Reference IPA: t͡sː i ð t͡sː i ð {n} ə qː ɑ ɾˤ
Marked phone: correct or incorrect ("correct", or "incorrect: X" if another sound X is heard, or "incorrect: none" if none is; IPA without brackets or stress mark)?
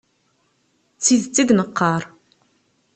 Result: correct